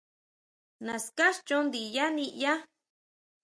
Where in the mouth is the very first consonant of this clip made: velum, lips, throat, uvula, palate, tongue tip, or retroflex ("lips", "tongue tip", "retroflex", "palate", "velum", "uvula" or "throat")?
tongue tip